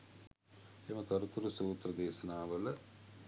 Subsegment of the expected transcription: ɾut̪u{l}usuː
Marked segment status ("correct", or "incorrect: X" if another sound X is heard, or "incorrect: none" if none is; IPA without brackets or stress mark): incorrect: ɾ